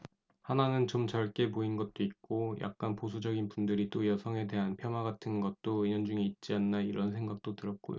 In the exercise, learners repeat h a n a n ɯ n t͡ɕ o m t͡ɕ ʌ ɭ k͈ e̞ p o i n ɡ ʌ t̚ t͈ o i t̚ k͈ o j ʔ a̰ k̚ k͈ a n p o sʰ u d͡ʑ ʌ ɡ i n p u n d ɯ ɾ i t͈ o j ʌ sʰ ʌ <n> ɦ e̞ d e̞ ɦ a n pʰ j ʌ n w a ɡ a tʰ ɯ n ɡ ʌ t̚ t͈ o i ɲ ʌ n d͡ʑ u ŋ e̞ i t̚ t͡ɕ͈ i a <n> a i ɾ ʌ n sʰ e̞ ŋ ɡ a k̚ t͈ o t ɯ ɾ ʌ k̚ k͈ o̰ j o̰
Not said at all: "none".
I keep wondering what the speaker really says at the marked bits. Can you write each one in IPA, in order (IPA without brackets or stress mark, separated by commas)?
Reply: ŋ, nː